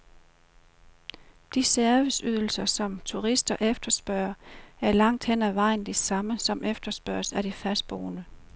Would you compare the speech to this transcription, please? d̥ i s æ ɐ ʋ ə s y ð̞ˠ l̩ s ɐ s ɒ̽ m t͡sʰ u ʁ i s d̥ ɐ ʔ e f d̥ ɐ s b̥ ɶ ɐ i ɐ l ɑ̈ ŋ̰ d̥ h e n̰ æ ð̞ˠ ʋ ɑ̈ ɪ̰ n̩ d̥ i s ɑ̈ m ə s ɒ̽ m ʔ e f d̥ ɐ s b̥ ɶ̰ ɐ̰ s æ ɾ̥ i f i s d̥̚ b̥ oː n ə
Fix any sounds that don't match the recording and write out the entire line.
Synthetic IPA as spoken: d̥ i s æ ɐ ʋ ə s y ð̞ˠ l̩ s ɐ s ɒ̽ m t͡sʰ u ʁ i s d̥ ɐ ʔ e f d̥ ɐ s b̥ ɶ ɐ æ ɐ l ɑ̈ ŋ̰ d̥ h e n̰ æ ʋ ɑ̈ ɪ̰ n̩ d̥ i s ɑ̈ m ə s ɒ̽ m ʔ e f d̥ ɐ s b̥ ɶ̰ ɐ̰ s æ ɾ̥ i f æ s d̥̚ b̥ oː n ə

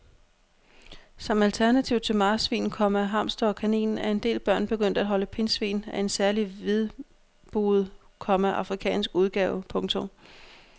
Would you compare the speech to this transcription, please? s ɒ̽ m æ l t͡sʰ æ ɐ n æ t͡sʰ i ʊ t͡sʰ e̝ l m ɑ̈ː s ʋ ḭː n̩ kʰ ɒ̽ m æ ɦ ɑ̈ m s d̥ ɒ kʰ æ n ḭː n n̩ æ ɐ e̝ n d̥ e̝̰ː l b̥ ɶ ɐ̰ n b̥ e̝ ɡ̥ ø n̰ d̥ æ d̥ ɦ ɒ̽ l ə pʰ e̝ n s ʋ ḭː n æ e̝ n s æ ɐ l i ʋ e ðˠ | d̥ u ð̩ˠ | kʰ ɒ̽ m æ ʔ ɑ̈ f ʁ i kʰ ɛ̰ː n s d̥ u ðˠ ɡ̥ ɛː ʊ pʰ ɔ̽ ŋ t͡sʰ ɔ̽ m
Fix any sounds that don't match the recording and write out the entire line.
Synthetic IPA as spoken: s ɒ̽ m æ l t͡sʰ æ ɐ n æ t͡sʰ i ʊ t͡sʰ e̝ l m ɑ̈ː s ʋ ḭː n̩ kʰ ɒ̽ m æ ɦ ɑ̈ m s d̥ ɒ kʰ æ n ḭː n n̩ æ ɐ e̝ n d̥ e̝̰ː l b̥ ɶ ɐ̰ n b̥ e̝ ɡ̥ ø n̰ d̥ æ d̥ ɦ ɒ̽ l ə pʰ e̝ n s ʋ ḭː n æ e̝ n s æ ɐ l i ʋ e ðˠ | b̥ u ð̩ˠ | kʰ ɒ̽ m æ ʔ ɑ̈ f ʁ i kʰ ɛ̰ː n s ɡ̥ u ðˠ ɡ̥ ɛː ʊ pʰ ɔ̽ ŋ t͡sʰ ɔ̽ m

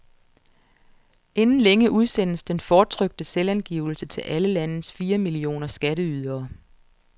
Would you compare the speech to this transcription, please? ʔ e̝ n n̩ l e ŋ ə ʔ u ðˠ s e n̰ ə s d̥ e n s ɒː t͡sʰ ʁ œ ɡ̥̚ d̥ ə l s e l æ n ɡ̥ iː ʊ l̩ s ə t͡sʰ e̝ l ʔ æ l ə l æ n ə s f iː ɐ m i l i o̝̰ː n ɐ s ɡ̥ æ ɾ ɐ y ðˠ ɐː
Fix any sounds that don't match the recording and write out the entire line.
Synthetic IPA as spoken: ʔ e̝ n n̩ l e ŋ ə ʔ u ðˠ s e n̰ ə s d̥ e n f ɒː t͡sʰ ʁ œ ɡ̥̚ d̥ ə s e l æ n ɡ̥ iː ʊ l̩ s ə t͡sʰ e̝ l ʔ æ l ə l æ n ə s f iː ɐ m i l i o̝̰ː n ɐ s ɡ̥ æ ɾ ə y ðˠ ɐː

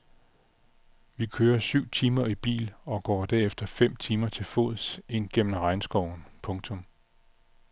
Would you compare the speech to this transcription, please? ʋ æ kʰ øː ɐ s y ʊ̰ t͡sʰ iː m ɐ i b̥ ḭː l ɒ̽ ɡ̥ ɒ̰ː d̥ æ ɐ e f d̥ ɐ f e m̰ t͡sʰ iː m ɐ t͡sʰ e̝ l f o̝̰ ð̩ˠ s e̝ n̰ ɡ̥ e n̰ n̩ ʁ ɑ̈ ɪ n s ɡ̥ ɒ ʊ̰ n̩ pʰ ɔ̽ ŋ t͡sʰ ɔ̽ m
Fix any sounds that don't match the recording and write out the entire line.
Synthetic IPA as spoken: ʋ i kʰ øː ɐ s y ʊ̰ t͡sʰ iː m ɐ i b̥ ḭː l ɒ̽ ɡ̥ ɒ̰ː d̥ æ ɐ e f d̥ ɐ f e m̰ t͡sʰ iː m ɐ t͡sʰ e̝ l f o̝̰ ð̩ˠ s e̝ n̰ ɡ̥ e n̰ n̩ ʁ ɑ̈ ɪ n s ɡ̥ ɒ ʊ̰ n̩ pʰ ɔ̽ ŋ t͡sʰ ɔ̽ m

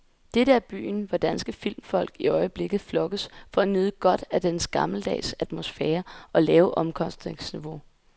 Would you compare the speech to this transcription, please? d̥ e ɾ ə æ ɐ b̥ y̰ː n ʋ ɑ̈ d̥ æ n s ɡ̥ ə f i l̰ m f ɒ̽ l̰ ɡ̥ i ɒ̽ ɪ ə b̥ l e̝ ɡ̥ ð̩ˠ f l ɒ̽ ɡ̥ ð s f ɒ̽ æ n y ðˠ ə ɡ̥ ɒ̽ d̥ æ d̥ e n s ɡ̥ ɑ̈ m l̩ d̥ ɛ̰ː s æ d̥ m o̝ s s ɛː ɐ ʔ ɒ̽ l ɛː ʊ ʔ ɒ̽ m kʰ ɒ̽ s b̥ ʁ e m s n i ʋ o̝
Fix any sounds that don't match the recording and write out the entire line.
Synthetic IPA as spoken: d̥ e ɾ ə æ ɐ b̥ y̰ː n ʋ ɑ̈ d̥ æ n s ɡ̥ ə f i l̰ m f ɒ̽ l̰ ɡ̥ i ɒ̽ ɪ ə b̥ l e̝ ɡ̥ ð̩ˠ f l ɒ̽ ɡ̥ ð s f ɒ̽ æ n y ðˠ ə ɡ̥ ɒ̽ d̥ æ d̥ e n s ɡ̥ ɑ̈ m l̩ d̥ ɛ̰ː s æ d̥ m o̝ s f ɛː ɐ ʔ ɒ̽ l ɛː ʊ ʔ ɒ̽ m kʰ ɒ̽ s d̥ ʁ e ŋ s n i ʋ o̝

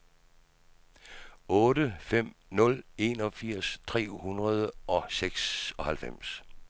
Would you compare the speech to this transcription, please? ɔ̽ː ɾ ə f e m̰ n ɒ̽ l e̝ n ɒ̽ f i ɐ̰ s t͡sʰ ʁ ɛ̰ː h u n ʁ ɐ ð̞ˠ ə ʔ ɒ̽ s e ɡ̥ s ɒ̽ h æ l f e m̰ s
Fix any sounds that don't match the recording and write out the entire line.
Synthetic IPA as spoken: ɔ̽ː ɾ ə f e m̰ n ɔ̽ l e̝ n ɒ̽ f i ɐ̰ s t͡sʰ ʁ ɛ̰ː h u n ʁ ɐ ð̞ˠ ə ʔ ɒ̽ s e ɡ̥ s ɒ̽ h æ l f e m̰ s

